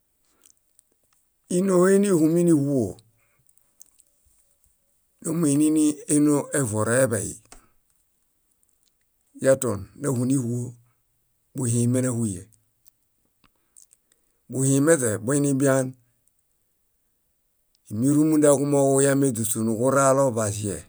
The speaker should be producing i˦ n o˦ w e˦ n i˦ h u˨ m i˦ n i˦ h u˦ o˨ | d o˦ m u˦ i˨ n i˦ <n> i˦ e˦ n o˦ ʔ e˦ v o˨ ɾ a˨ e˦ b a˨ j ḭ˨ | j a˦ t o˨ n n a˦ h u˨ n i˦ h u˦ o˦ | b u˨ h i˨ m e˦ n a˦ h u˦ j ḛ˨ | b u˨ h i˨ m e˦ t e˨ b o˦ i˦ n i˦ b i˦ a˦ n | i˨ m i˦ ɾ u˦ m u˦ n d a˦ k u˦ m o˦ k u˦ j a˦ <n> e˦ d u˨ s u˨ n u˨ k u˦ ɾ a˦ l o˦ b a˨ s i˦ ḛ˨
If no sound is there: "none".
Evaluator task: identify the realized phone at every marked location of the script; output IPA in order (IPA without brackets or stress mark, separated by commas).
n, m